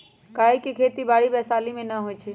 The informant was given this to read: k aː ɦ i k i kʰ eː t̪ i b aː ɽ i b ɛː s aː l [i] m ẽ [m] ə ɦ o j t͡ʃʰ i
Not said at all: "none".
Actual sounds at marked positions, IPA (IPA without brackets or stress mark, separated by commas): i, n